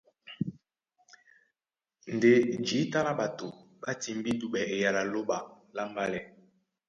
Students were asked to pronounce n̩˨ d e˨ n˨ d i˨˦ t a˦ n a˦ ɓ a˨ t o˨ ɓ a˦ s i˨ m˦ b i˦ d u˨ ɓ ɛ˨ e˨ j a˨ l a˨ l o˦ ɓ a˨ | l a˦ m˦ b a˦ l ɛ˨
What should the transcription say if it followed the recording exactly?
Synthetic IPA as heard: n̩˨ d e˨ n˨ d͡ʒ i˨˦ t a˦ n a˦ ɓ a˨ t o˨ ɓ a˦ t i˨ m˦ b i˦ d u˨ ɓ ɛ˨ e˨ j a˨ l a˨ l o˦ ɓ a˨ | l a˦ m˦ b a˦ l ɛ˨